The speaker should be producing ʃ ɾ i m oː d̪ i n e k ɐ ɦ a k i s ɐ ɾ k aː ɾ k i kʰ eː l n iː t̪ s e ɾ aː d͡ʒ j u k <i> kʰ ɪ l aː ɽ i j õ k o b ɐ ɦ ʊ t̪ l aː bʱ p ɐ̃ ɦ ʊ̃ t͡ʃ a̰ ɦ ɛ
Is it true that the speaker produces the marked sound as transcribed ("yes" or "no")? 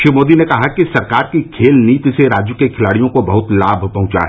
no